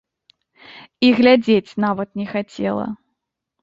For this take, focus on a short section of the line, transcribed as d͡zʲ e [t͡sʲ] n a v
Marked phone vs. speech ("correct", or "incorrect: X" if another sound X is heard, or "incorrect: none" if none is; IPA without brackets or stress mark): correct